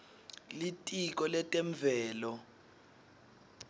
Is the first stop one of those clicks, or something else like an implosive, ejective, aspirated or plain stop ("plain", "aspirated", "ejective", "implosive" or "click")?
ejective